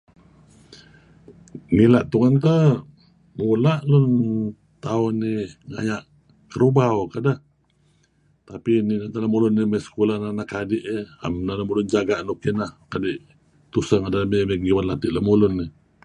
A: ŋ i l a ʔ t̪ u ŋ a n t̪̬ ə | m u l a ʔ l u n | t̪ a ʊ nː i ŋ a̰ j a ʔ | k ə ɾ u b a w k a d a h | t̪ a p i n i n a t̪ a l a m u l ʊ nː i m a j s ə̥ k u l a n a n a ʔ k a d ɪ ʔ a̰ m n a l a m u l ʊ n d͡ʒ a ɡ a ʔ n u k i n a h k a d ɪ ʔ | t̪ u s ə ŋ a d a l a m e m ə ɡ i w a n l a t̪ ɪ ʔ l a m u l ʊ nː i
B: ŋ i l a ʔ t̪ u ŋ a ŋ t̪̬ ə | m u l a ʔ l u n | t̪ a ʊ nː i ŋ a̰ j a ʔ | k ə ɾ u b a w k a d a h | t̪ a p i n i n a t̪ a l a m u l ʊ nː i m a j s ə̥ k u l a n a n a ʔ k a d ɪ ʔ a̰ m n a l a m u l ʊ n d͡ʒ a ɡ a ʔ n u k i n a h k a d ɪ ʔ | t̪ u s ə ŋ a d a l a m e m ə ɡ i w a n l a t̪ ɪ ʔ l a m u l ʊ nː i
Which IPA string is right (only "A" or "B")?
A